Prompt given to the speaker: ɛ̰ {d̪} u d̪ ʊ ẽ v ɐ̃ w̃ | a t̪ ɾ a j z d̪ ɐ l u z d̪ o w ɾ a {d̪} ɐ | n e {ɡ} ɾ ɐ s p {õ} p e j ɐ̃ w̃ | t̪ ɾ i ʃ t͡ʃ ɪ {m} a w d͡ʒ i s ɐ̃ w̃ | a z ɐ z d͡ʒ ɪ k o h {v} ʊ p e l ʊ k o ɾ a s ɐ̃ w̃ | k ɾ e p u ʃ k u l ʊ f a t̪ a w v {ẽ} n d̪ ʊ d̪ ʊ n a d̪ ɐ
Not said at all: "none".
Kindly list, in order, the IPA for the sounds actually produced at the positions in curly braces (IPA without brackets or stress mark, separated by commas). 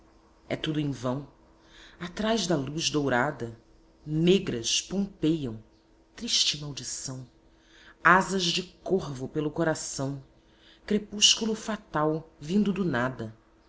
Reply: t̪, d̪, ɡ, õ, m, v, ĩ